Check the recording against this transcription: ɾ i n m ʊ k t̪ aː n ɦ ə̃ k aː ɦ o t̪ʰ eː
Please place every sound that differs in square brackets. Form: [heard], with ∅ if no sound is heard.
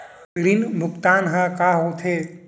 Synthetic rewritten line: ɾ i n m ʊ k t̪ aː n ɦ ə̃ k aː ɦ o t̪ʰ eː